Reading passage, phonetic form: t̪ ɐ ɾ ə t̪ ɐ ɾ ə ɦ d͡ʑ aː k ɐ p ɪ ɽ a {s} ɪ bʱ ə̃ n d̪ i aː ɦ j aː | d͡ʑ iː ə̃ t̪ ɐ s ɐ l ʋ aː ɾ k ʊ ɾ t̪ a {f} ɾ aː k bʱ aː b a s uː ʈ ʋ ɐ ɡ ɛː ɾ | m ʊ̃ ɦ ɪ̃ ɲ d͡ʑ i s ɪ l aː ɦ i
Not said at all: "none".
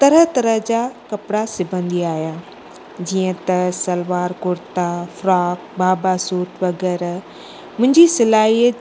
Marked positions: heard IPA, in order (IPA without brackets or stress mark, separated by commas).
s, f